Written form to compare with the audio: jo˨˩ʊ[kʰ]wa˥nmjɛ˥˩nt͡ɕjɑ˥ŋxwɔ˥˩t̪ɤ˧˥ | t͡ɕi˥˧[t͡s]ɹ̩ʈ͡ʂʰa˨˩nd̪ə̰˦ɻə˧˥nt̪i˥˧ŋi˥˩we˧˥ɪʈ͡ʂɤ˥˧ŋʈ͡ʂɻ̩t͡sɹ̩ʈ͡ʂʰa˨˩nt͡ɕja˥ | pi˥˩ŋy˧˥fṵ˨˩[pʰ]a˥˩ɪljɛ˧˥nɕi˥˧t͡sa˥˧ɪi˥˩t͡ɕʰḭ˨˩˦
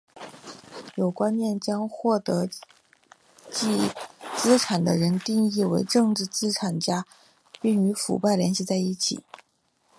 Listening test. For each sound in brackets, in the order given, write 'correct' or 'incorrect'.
incorrect: k, correct, incorrect: p

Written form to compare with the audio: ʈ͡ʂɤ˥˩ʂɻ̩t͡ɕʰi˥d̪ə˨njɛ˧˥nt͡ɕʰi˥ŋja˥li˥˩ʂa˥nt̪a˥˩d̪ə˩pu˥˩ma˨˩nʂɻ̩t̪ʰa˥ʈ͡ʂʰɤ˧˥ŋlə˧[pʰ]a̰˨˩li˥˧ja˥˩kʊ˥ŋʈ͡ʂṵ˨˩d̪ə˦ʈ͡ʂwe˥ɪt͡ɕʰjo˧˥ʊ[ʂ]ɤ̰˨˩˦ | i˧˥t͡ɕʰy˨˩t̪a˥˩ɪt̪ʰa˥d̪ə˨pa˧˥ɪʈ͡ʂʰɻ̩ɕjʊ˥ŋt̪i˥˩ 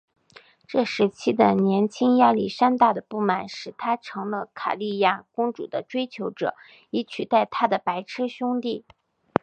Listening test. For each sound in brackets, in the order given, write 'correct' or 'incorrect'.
incorrect: kʰ, incorrect: ʈ͡ʂ

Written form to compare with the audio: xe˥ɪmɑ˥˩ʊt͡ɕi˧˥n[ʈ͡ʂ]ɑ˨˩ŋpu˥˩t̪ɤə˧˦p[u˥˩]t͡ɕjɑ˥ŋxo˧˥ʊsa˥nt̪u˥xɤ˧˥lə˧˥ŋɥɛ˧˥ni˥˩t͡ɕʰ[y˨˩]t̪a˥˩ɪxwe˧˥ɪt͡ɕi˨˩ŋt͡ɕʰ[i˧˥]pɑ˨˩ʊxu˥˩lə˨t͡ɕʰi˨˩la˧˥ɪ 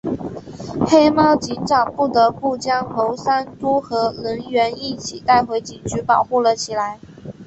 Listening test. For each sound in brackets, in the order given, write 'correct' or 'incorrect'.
correct, correct, incorrect: i˨˩, incorrect: y˧˥

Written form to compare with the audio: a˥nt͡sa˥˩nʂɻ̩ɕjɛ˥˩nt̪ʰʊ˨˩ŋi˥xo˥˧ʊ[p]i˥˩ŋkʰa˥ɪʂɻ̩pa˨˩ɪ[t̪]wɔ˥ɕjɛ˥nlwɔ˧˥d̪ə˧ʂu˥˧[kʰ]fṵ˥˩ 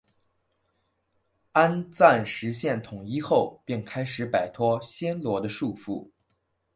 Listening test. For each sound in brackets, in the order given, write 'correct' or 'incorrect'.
correct, incorrect: t̪ʰ, incorrect: none

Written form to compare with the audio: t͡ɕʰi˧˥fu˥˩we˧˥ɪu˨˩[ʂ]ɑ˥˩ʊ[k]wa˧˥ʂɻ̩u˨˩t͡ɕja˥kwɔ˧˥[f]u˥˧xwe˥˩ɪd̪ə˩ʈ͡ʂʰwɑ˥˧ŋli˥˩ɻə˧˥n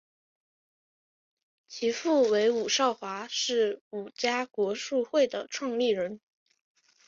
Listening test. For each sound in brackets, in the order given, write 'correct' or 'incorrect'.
correct, incorrect: x, incorrect: ʂ

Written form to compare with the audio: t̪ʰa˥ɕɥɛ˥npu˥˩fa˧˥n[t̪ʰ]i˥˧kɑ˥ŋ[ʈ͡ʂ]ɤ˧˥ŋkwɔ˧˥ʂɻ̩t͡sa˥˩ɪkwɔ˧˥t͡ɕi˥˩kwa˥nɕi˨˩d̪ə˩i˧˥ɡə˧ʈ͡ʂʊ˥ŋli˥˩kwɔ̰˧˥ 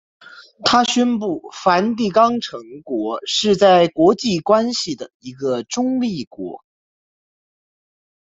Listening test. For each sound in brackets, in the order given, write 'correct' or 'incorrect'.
incorrect: t̪, incorrect: ʈ͡ʂʰ

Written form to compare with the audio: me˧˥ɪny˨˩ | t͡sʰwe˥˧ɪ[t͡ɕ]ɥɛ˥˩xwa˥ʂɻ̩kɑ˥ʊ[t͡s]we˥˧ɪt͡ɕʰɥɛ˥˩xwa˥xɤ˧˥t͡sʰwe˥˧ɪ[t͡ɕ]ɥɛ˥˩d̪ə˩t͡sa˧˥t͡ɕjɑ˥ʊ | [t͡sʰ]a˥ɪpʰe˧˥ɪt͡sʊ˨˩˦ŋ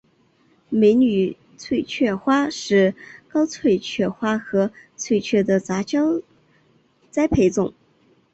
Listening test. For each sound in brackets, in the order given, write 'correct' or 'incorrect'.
incorrect: t͡ɕʰ, incorrect: t͡sʰ, incorrect: t͡ɕʰ, incorrect: t͡s

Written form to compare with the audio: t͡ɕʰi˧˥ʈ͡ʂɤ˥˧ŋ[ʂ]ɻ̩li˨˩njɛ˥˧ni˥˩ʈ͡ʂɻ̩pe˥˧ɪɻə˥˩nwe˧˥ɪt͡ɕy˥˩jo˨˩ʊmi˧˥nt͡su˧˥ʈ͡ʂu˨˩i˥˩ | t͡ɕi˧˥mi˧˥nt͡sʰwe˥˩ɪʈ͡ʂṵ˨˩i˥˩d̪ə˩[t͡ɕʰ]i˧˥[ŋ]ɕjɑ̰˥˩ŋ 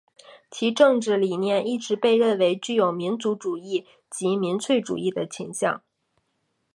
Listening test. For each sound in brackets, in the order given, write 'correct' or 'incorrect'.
incorrect: ʈ͡ʂ, correct, correct

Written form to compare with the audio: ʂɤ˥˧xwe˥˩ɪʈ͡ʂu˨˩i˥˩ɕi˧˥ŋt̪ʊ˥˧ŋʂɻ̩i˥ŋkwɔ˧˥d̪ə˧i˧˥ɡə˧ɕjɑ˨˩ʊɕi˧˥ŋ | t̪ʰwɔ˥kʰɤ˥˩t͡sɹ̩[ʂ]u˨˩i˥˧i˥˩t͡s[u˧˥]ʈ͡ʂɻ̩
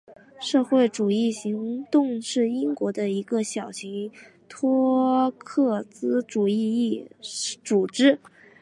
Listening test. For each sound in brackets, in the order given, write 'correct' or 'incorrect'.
incorrect: ʈ͡ʂ, incorrect: u˨˩

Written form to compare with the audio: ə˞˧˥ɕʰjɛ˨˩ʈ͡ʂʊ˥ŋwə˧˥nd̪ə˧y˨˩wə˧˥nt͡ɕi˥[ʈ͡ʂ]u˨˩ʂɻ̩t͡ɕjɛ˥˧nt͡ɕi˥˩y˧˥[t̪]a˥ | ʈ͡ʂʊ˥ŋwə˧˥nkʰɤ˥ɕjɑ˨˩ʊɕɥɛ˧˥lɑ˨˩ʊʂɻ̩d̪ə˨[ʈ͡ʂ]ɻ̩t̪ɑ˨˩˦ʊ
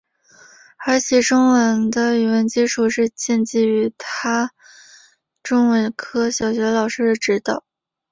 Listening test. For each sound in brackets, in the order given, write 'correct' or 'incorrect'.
incorrect: ʈ͡ʂʰ, incorrect: t̪ʰ, correct

